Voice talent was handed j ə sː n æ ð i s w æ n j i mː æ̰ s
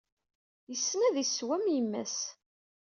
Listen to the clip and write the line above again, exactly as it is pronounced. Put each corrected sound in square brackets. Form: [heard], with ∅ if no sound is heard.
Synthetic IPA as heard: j ə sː n æ ð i s w æ [m] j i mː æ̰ s